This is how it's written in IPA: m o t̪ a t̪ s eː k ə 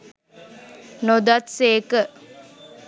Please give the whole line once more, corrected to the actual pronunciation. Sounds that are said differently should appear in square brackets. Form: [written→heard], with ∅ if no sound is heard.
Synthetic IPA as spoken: [m→n] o [t̪→d̪] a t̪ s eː k ə

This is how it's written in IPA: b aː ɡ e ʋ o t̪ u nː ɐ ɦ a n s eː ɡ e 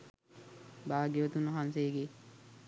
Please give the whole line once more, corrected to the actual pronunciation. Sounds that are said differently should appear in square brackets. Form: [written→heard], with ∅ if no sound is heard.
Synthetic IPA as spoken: b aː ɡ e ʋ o t̪ u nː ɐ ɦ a n s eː ɡ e

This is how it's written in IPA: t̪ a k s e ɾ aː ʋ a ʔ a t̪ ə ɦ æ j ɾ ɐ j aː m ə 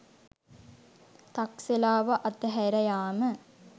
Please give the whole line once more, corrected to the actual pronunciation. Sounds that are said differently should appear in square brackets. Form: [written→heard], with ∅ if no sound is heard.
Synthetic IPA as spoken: t̪ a k s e [ɾ→l] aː ʋ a ʔ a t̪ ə ɦ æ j ɾ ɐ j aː m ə

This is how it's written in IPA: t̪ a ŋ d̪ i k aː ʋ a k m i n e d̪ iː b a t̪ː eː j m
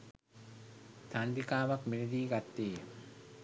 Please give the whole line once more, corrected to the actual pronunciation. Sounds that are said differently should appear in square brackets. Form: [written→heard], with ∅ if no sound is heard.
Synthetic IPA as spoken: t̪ a [ŋ→n] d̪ i k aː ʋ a k m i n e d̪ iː [b→ɡ] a t̪ː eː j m

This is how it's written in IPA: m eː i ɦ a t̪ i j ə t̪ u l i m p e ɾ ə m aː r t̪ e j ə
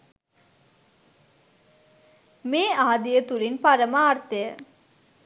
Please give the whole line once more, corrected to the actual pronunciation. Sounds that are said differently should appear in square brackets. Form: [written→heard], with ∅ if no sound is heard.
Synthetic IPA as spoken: m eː [i→a] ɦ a [t̪→d̪] i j ə t̪ u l i [m→n] p [e→a] ɾ ə m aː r t̪ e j ə

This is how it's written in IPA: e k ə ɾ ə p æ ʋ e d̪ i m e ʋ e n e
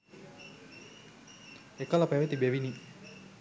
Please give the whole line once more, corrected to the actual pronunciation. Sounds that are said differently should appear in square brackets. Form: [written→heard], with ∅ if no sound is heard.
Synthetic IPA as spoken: e k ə [ɾ→l] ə p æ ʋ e [d̪→t̪] i [m→b] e ʋ [e→i] n [e→i]

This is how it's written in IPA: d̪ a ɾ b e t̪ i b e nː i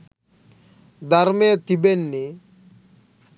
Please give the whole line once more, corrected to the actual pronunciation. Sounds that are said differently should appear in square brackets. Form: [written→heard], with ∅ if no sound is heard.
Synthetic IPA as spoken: d̪ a ɾ [b→m] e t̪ i b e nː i

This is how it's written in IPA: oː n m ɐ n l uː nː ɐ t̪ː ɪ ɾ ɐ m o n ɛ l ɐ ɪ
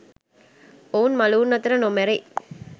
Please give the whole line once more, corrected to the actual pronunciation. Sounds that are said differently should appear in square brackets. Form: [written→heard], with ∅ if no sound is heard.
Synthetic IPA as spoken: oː n m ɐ [n→∅] l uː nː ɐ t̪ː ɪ ɾ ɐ [m→n] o [n→m] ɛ [l→ɾ] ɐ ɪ

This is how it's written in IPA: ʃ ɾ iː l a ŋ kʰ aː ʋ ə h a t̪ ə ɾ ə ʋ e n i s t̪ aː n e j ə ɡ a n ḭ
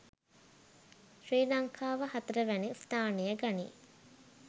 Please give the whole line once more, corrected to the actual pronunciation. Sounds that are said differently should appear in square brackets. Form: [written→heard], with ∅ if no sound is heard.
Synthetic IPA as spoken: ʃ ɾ iː l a ŋ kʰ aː ʋ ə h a t̪ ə ɾ ə ʋ [e→æ] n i s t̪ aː n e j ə ɡ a n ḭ

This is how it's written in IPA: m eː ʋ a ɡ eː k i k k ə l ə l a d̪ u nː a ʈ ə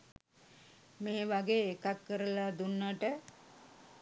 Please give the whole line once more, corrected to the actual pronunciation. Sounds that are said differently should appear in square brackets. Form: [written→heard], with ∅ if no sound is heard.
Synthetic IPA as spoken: m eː ʋ a ɡ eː k [i→a] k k ə [l→ɾ] ə l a d̪ u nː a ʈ ə

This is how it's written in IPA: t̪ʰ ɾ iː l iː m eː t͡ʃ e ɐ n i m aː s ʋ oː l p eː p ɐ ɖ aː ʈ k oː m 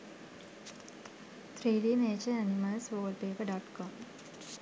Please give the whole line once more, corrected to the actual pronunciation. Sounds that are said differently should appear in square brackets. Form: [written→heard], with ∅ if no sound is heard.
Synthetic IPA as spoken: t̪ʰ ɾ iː l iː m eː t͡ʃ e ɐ n i m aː s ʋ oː l p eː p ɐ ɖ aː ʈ k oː m

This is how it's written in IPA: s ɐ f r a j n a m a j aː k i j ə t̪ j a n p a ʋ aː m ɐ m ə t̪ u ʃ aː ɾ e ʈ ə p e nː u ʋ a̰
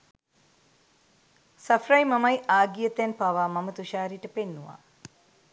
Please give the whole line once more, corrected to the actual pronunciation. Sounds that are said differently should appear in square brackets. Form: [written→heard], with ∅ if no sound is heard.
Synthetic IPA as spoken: s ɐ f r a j [n→m] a m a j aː [k→ɡ] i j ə t̪ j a n p a ʋ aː m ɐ m ə t̪ u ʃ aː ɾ [e→i] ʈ ə p e nː u ʋ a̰

